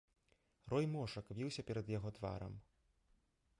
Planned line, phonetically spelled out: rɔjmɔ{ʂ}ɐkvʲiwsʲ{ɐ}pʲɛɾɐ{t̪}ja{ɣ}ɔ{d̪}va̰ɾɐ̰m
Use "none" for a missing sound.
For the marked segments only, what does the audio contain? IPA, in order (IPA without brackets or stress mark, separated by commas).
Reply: ʂ, ɐ, d̪, ɣ, t̪